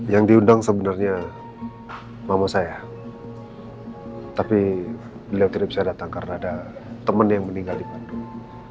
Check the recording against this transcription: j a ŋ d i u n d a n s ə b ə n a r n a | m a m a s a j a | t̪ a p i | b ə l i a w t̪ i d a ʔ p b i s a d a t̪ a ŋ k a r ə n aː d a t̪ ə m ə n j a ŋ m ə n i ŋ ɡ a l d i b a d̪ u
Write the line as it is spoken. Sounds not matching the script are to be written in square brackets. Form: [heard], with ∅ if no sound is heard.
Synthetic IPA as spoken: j a ŋ d i u n d a [ŋ] s ə b ə n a r [ɲ] a | m a m a s a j a | t̪ a p i | b ə l i a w t̪ i d a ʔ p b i s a d a t̪ a ŋ k a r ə n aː d a t̪ ə m ə n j a ŋ m ə n i ŋ ɡ a l d i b a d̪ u